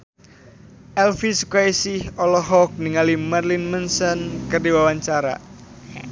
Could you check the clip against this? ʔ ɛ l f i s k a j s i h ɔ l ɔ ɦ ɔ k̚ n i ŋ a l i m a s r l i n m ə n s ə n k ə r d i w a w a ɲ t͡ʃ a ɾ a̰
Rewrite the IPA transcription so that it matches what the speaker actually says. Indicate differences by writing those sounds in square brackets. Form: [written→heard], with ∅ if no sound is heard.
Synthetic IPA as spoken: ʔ ɛ l f i s k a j s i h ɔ l ɔ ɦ ɔ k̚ n i ŋ a l i m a [s→∅] r l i n m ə n s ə n k ə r d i w a w a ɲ t͡ʃ a ɾ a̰